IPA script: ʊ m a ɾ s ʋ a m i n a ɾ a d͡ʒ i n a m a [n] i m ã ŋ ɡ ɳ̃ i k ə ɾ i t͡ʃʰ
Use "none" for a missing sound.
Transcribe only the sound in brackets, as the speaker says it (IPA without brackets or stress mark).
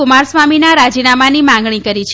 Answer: n